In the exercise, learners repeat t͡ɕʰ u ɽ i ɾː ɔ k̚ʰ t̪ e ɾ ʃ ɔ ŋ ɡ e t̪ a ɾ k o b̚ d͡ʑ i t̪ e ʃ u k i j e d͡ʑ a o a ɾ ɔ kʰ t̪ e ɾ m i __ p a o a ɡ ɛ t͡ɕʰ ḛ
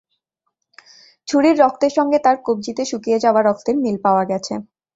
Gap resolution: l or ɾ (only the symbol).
l